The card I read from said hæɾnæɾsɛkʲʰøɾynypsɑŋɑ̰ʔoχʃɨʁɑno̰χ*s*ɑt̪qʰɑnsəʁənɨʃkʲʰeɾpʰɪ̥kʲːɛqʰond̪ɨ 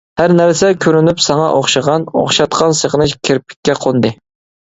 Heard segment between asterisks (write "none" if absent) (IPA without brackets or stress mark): ʃ